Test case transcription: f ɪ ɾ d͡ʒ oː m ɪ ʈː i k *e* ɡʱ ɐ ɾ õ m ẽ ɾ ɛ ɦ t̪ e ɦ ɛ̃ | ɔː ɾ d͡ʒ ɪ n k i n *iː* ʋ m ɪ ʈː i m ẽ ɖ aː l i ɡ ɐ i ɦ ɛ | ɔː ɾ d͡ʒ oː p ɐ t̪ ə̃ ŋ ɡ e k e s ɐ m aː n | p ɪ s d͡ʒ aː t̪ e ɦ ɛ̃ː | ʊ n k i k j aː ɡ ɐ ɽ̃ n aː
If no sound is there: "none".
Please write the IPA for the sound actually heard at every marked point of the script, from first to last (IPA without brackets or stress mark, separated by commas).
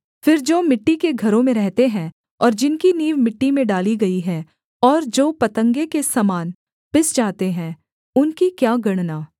e, iː